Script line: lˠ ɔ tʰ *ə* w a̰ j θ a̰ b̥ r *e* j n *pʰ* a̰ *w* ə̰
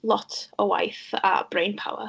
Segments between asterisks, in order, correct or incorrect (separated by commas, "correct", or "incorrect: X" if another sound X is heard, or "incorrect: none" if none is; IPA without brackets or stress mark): correct, correct, correct, correct